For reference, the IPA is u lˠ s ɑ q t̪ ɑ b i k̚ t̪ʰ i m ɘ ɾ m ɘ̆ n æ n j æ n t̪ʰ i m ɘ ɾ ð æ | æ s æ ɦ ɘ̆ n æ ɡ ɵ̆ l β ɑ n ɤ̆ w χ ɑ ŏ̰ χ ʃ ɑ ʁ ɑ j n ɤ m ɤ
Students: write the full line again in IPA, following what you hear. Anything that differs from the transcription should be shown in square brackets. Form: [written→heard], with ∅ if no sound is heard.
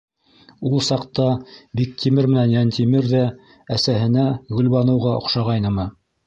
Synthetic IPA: u lˠ s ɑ q t̪ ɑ b i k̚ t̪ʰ i m ɘ ɾ m ɘ̆ n æ n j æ n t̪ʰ i m ɘ ɾ ð æ | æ s æ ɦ ɘ̆ n æ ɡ ɵ̆ l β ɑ n ɤ̆ w [χ→ʁ] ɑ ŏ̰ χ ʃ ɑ ʁ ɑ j n ɤ m ɤ